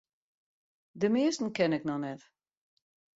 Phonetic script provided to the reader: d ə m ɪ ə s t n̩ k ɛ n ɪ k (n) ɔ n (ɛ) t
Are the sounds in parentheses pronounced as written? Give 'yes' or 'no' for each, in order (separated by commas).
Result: yes, yes